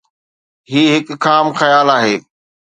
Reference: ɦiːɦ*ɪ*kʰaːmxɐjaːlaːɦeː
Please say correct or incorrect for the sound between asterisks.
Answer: correct